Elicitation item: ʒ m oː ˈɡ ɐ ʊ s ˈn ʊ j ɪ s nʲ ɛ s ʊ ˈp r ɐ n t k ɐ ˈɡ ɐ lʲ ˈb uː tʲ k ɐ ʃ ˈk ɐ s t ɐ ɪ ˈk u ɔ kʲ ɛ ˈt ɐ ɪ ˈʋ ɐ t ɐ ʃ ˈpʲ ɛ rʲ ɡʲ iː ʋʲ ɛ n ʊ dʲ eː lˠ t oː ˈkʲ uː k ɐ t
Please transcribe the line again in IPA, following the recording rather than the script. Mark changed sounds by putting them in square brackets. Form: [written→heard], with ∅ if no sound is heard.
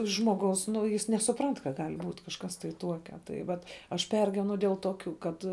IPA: ʒ m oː ˈɡ ɐ ʊ s ˈn ʊ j ɪ s nʲ ɛ s ʊ ˈp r ɐ n t k ɐ ˈɡ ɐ lʲ ˈb uː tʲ k ɐ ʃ ˈk ɐ s t ɐ ɪ [ˈk→ˈt] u ɔ kʲ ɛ ˈt ɐ ɪ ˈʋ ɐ t ɐ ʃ ˈpʲ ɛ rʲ ɡʲ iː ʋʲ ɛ n ʊ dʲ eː lˠ t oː ˈkʲ uː k ɐ t